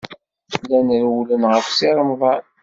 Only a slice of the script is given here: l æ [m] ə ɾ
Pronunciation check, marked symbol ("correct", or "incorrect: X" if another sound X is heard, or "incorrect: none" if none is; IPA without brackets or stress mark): incorrect: n